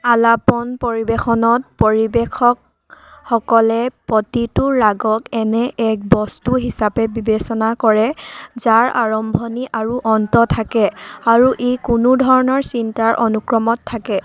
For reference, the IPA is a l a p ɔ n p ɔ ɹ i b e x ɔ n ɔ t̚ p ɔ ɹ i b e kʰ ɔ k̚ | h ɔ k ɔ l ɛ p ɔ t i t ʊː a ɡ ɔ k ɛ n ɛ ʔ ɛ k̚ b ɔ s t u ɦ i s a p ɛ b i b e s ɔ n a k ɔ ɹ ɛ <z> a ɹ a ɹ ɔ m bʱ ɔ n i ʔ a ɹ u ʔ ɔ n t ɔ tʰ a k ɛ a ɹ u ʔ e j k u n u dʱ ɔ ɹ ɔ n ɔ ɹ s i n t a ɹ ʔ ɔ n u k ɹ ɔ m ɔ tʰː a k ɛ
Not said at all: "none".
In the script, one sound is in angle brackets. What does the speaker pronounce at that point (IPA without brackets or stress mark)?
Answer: z